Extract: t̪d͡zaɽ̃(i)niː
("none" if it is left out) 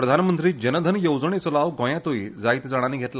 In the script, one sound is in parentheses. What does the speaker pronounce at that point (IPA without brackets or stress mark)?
a